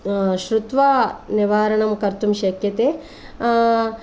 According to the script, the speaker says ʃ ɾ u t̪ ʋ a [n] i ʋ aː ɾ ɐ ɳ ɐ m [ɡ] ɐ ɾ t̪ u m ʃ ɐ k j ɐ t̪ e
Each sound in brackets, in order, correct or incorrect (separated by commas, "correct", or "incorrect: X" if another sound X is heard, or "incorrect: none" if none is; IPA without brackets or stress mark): correct, incorrect: k